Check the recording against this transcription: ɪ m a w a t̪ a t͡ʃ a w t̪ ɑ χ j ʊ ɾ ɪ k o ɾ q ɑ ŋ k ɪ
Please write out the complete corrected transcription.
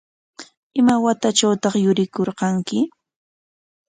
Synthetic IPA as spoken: ɪ m a w a t̪ a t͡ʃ a w t̪ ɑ χ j ʊ ɾ ɪ k o ɾ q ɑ ŋ k ɪ